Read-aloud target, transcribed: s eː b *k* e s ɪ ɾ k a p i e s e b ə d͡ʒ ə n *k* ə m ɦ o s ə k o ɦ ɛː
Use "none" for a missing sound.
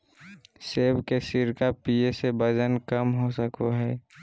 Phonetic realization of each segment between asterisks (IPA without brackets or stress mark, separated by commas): k, k